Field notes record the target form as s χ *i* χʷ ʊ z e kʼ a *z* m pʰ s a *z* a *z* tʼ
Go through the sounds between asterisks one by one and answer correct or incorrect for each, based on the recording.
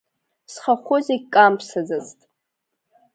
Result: incorrect: a, incorrect: none, correct, correct

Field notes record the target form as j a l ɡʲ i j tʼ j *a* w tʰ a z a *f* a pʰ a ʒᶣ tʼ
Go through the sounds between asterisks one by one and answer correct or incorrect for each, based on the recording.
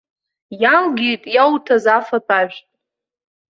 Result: correct, correct

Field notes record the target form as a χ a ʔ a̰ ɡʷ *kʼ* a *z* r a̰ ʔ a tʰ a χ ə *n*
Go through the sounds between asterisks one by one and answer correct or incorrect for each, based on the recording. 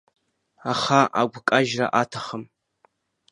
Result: correct, incorrect: ʒ, incorrect: m

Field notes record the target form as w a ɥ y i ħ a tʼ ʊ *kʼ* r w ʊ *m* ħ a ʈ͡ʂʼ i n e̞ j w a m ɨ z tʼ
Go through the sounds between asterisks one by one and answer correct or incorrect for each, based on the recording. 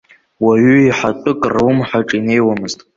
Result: correct, correct

